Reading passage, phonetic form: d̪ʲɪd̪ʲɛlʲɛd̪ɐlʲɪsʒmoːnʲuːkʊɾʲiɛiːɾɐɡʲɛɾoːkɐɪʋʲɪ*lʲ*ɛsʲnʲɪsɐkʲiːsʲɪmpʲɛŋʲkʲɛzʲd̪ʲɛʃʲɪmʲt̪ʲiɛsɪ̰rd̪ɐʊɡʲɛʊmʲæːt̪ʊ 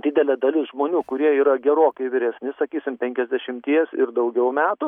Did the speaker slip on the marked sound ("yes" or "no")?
yes